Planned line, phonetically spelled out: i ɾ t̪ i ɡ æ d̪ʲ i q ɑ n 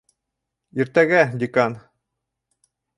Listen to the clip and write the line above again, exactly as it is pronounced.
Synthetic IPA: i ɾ t̪ æ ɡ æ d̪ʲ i k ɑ n